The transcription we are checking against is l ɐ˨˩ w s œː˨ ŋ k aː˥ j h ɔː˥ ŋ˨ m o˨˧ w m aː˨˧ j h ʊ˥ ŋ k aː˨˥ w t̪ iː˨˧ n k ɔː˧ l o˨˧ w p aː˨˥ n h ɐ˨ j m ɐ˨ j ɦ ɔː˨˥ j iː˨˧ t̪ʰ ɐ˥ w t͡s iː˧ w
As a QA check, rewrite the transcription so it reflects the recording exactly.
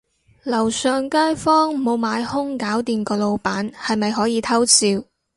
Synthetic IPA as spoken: l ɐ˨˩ w s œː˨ ŋ k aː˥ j f ɔː˥ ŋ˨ m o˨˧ w m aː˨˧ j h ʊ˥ ŋ k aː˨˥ w t̪ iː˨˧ n k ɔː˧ l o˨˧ w p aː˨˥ n h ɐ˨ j m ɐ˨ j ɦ ɔː˨˥ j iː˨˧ t̪ʰ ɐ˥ w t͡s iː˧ w